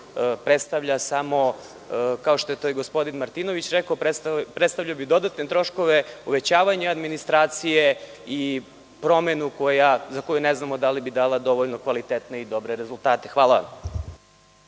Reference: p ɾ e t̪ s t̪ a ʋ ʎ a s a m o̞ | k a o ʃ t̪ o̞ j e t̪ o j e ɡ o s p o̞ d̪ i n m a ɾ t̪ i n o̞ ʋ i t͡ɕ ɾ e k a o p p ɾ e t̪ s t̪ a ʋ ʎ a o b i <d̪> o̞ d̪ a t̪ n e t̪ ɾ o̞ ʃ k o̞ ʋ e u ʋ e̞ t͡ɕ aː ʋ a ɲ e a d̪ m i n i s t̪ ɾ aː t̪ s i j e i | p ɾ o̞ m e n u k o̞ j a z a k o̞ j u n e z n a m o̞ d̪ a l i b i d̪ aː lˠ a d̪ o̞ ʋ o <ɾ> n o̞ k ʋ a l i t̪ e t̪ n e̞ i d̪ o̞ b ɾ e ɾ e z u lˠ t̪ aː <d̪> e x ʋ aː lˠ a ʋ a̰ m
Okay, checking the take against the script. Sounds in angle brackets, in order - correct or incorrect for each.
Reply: correct, incorrect, incorrect

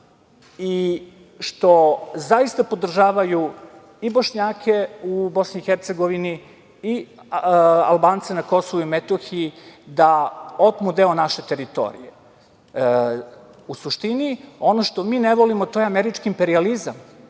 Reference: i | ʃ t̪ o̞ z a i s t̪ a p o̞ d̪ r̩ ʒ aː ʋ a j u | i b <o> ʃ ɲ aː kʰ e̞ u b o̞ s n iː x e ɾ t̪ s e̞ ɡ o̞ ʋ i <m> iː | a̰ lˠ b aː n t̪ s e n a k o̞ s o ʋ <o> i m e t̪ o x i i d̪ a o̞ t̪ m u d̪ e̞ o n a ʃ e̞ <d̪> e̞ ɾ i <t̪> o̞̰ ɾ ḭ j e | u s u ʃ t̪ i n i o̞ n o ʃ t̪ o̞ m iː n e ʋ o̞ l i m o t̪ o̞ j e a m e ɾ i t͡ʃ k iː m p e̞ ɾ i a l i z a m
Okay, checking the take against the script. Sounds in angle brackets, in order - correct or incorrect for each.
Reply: correct, incorrect, incorrect, incorrect, correct

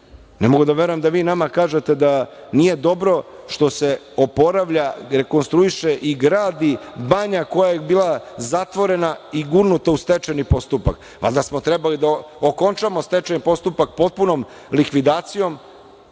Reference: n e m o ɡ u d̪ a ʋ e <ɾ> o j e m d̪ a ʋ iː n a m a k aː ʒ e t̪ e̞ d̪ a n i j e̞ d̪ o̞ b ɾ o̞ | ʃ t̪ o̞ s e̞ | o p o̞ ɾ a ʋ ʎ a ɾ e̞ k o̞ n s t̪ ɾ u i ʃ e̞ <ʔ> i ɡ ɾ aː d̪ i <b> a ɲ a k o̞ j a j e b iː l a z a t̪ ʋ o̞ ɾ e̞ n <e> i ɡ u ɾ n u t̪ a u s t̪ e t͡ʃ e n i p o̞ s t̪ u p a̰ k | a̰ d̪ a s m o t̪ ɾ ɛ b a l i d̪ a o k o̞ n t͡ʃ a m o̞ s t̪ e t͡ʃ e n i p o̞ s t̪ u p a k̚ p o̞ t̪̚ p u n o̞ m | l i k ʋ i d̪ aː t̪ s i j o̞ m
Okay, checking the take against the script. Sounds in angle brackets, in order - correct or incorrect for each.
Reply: correct, correct, correct, incorrect

